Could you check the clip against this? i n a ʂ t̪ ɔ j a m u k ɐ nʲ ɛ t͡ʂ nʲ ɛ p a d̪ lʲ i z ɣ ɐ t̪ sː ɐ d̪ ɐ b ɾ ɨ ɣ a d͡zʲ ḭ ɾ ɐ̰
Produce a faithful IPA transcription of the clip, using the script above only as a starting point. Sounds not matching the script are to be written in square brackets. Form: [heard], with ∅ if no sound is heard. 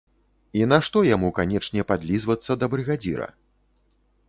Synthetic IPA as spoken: i n a ʂ t̪ ɔ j a m u k [a] nʲ ɛ t͡ʂ nʲ ɛ p a d̪ lʲ i z [v] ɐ t̪ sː ɐ d̪ ɐ b ɾ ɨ ɣ a d͡zʲ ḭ ɾ ɐ̰